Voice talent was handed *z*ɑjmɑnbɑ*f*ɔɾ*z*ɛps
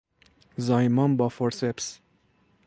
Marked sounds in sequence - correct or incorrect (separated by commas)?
correct, correct, incorrect